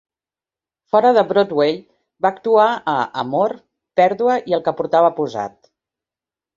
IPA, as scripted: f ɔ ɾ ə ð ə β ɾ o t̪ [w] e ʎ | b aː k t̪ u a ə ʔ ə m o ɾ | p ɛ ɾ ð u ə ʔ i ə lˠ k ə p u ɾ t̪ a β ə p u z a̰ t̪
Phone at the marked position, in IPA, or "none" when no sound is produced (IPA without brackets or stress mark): w